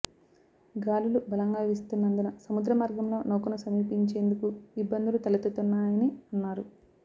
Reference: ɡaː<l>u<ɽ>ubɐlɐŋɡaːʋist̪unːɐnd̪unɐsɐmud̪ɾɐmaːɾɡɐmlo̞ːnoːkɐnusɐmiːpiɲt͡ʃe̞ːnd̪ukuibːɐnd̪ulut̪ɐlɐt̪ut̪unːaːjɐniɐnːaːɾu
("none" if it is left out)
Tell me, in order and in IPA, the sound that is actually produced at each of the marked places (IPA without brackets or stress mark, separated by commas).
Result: l, l